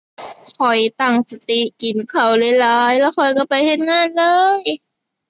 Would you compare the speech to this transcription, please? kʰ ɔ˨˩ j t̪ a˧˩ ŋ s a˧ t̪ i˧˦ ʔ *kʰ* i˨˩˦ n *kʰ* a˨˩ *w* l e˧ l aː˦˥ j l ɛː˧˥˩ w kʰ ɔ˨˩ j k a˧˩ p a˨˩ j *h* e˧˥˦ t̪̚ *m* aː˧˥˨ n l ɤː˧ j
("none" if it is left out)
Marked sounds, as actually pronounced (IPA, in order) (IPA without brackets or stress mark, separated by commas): k, kʰ, w, h, ŋ